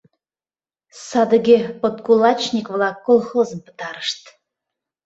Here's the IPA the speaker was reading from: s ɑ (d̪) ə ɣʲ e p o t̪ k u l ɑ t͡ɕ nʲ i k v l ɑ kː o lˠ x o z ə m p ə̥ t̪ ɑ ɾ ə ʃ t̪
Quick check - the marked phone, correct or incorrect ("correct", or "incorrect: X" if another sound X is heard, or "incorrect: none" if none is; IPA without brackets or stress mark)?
correct